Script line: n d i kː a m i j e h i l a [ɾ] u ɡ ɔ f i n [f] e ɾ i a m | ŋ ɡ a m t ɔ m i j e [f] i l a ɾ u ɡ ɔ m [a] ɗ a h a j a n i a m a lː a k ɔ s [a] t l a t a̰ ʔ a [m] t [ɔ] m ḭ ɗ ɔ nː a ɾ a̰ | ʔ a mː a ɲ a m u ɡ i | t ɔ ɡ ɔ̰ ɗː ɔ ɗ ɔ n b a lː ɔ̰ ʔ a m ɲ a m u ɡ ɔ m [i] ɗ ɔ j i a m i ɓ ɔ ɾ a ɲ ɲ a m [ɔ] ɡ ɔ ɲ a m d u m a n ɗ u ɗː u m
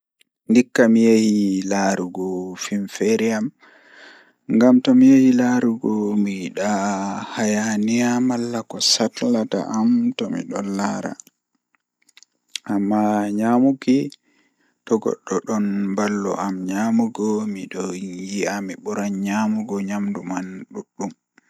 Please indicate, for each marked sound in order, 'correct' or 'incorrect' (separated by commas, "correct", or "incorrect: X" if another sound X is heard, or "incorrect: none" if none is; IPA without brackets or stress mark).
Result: correct, correct, incorrect: h, incorrect: i, correct, correct, correct, correct, incorrect: u